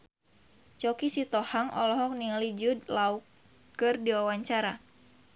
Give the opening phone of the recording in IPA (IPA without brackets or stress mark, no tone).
t͡ʃ